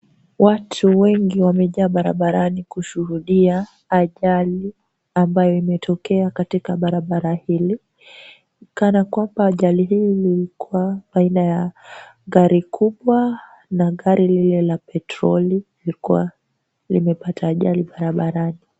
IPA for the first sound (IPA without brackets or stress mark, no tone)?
w